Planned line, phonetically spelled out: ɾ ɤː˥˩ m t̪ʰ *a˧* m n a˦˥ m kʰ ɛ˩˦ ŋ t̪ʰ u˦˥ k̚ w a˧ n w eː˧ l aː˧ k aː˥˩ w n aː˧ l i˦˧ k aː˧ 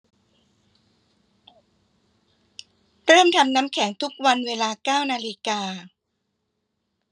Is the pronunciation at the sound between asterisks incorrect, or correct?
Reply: correct